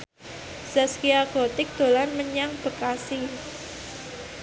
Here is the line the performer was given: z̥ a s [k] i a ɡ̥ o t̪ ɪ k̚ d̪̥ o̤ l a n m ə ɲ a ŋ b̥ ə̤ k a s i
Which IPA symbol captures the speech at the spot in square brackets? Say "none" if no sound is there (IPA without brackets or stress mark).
k